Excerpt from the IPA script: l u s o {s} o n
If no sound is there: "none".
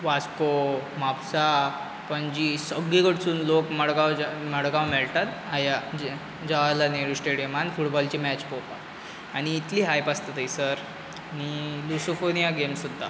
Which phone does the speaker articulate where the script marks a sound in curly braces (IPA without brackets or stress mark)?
f